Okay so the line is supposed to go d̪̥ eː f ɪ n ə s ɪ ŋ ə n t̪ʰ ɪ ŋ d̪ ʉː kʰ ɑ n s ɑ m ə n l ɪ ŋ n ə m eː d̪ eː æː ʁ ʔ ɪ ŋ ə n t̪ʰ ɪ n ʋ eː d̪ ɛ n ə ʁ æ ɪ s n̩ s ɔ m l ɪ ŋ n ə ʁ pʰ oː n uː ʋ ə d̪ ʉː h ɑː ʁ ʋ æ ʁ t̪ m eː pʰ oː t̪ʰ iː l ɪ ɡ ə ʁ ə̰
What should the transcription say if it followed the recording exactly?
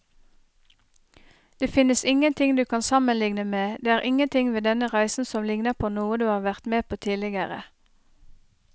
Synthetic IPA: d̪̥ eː f ɪ n ə s ɪ ŋ ə n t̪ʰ ɪ ŋ d̪ ʉː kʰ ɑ n s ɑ m ə n l ɪ ŋ n ə m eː d̪ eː æː ʁ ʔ ɪ ŋ ə n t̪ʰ ɪ ŋ ʋ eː d̪ ɛ n ə ʁ æ ɪ s n̩ s ɔ m l ɪ ŋ n ə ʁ pʰ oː n uː ə d̪ ʉː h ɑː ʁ ʋ æ ʁ t̪ m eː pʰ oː t̪ʰ iː l ɪ ɡ ə ʁ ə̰